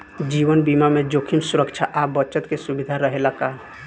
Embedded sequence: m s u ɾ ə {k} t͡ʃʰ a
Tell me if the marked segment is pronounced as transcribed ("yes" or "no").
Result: yes